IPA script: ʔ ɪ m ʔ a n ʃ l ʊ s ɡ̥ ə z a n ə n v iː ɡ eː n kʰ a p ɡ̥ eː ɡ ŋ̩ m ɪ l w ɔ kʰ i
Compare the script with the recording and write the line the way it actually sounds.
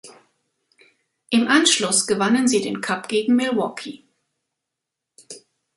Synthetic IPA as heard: ʔ ɪ m ʔ a n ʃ l ʊ s ɡ̥ ə v a n ə n z iː d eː n kʰ a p ɡ̥ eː ɡ ŋ̩ m ɪ l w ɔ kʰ i

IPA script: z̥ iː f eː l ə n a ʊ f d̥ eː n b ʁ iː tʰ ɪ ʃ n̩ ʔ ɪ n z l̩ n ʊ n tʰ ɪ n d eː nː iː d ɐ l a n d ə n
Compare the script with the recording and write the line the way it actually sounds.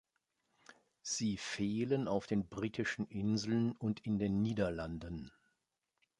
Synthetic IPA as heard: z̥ iː f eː l ə n a ʊ f d̥ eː n b ʁ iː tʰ ɪ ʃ n̩ ʔ ɪ n z l̩ n ʊ n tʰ ɪ n d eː nː iː d ɐ l a n d ə n

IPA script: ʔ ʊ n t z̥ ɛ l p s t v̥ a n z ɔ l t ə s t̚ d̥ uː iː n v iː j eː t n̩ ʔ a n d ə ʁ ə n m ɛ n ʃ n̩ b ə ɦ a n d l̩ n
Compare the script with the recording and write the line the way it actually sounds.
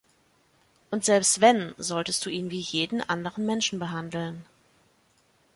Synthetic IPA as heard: ʔ ʊ n t z̥ ɛ l p s t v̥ ɛ n z ɔ l t ə s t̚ d̥ uː iː n v iː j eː d n̩ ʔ a n d ə ʁ ə n m ɛ n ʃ n̩ b ə ɦ a n d l̩ n

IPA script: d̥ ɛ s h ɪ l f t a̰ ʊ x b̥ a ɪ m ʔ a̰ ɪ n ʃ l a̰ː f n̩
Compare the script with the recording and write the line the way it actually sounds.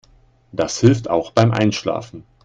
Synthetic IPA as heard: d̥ a s h ɪ l f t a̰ ʊ x b̥ a ɪ m ʔ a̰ ɪ n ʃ l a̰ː f n̩

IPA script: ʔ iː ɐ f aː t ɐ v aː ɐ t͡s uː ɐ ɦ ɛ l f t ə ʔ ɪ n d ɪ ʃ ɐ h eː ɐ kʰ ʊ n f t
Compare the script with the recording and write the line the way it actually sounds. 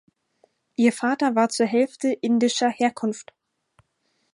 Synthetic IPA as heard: ʔ iː ɐ f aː t ɐ v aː ɐ t͡s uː ɐ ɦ ɛ l f t ə ʔ ɪ n d ɪ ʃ ɐ h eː ɐ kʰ ʊ n f t

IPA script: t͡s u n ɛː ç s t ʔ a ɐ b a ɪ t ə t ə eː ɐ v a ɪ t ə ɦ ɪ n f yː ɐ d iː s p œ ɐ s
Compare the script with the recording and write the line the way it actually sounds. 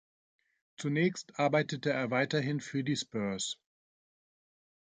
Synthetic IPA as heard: t͡s u n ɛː ç s t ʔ a ɐ b a ɪ t ə t ə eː ɐ v a ɪ t ɐ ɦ ɪ n f yː ɐ d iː s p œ ɐ s

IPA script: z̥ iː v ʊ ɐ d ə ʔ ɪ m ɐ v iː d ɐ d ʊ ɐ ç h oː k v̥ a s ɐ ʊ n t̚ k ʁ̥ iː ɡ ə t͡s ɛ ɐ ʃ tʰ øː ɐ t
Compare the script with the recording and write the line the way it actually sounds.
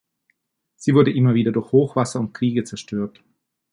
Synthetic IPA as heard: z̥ iː v ʊ ɐ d ə ʔ ɪ m ɐ v iː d ɐ d ʊ ɐ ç h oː x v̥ a s ɐ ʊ n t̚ k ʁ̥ iː ɡ ə t͡s ɛ ɐ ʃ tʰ øː ɐ t

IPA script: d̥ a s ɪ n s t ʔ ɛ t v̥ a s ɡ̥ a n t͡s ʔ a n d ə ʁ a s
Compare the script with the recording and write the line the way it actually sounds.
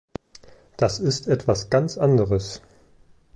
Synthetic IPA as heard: d̥ a s ɪ s t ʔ ɛ t v̥ a s ɡ̥ a n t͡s ʔ a n d ə ʁ ə s

